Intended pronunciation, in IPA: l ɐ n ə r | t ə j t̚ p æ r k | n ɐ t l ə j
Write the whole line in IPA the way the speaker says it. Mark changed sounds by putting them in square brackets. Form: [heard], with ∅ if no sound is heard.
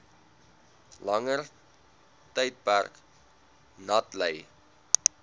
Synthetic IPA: l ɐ [ŋ] ə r | t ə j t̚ p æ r k | n ɐ t l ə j